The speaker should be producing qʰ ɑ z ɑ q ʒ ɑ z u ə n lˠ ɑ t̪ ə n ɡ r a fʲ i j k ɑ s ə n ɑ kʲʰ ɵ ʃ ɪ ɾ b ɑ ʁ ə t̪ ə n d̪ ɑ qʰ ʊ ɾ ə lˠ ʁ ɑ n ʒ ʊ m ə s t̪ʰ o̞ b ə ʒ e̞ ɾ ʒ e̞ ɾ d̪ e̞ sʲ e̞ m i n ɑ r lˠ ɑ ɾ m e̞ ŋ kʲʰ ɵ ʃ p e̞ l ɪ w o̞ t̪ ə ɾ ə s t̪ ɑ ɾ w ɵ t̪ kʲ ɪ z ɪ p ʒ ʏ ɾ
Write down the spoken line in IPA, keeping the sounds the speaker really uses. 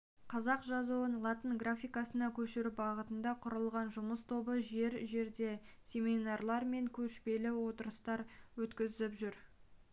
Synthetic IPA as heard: qʰ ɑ z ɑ q ʒ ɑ z u ə n lˠ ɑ t̪ ə n ɡ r a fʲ i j k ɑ s ə n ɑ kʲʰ ɵ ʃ ɪ ɾ b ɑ ʁ ə t̪ ə n d̪ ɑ qʰ ʊ ɾ ə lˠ ʁ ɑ n ʒ ʊ m ə s t̪ʰ o̞ b ə ʒ e̞ ɾ ʒ e̞ ɾ d̪ e̞ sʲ e̞ m i n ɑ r lˠ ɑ ɾ m e̞ ŋ kʲʰ ɵ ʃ p e̞ l ɪ w o̞ t̪ ə ɾ ə s t̪ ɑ ɾ w ɵ t̪ kʲ ɪ z ɪ p ʒ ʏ ɾ